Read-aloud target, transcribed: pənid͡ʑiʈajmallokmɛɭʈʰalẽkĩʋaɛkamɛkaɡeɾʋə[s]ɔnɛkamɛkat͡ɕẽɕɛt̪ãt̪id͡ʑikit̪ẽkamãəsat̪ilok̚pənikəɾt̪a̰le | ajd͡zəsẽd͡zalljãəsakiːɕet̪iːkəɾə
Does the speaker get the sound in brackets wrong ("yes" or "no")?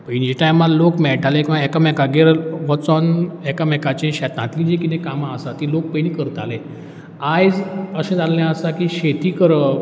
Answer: yes